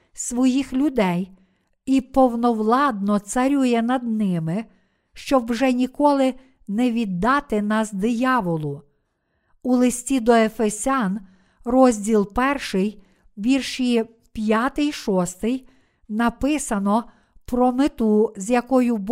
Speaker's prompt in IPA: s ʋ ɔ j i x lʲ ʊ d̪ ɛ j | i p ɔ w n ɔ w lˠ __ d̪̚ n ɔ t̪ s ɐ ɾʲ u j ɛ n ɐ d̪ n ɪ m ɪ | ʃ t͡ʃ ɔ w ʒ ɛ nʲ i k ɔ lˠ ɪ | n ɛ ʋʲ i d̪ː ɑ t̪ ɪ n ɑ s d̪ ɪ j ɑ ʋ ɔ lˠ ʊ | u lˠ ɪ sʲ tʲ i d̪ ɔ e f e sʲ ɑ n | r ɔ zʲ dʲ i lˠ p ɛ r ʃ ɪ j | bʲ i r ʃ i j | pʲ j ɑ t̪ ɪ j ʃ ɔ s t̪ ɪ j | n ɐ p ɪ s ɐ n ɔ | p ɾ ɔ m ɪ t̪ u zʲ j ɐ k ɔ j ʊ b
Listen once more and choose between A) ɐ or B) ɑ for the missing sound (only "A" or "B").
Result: B